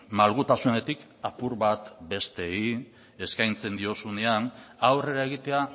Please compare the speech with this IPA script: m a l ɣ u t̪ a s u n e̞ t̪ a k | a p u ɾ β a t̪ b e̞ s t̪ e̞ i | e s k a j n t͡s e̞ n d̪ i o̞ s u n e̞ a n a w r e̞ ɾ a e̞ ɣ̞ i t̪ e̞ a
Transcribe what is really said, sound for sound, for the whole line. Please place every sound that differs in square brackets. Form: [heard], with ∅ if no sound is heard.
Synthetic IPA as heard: m a l ɣ u t̪ a s u n e̞ t̪ [i] k | a p u ɾ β a t̪ b e̞ s t̪ e̞ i | e s k a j n t͡s e̞ n d̪ i o̞ s u n e̞ a n a w r e̞ ɾ a e̞ ɣ̞ i t̪ e̞ a